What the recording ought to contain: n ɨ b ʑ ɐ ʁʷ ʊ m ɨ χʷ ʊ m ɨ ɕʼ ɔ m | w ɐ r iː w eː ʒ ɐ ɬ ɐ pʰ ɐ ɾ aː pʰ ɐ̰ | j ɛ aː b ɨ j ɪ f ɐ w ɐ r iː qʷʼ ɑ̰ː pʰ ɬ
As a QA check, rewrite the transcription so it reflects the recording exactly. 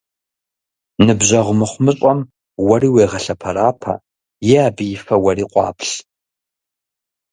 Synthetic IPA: n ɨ b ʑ ɐ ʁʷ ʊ m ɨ χʷ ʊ m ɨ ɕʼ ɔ m | w ɐ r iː w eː ʁ ɐ ɬ ɐ pʰ ɐ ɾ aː pʰ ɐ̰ | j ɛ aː b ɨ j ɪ f ɐ w ɐ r iː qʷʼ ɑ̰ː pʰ ɬ